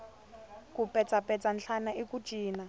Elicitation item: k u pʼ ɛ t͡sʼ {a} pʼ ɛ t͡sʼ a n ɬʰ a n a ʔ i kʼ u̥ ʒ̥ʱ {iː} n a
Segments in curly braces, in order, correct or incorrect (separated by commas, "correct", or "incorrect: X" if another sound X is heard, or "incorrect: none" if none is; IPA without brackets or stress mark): correct, correct